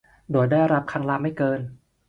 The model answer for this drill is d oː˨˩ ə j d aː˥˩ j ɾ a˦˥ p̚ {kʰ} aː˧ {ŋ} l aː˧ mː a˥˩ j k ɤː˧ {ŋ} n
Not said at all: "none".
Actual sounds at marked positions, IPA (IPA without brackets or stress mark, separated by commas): kʰ, ŋ, none